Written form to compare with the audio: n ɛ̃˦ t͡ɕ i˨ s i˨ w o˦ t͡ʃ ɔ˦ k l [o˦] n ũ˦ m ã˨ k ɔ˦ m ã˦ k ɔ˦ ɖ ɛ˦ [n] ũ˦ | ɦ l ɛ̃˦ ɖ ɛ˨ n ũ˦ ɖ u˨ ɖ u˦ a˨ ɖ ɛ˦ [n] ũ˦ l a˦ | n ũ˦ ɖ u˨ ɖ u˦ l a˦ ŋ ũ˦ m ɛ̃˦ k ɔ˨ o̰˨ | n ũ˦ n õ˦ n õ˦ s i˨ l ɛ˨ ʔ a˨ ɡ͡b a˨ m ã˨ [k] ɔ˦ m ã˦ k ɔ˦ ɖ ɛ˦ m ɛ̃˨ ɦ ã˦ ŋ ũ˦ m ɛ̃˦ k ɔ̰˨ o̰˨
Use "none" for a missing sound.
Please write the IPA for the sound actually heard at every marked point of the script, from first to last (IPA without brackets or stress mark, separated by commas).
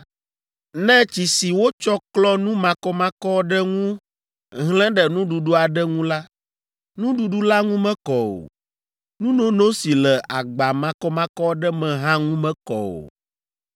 ɔ˦, ŋ, ŋ, k